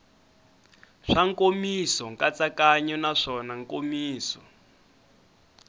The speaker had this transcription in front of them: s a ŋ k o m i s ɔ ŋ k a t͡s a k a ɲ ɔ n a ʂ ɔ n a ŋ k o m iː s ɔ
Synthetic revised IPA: ʂ a ŋ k o m i s ɔ ŋ k a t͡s a k a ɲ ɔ n a ʂ ɔ n a ŋ k o m iː s ɔ